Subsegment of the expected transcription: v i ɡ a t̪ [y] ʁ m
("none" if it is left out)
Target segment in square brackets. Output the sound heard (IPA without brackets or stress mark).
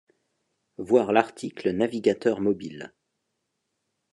œ